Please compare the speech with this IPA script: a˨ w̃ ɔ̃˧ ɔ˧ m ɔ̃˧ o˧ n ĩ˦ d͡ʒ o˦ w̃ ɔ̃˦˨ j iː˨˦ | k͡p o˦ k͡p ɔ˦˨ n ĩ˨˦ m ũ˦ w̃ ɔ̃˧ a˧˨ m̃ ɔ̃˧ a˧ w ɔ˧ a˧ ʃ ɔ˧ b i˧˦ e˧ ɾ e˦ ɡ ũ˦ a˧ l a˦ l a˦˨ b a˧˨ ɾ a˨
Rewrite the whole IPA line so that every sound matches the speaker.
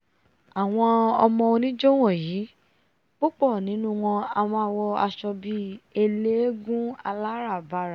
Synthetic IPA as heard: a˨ w̃ ɔ̃˧ ɔ˧ m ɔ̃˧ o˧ n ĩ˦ d͡ʒ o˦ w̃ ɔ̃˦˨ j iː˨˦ | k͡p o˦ k͡p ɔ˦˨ n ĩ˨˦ n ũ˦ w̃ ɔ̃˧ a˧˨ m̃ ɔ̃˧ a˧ w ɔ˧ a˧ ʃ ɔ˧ b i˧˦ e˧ l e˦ ɡ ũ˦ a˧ l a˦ ɾ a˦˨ b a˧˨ ɾ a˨